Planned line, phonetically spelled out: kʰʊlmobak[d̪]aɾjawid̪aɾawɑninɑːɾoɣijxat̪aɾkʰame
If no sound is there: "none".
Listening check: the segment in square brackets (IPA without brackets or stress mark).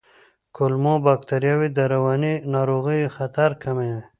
t̪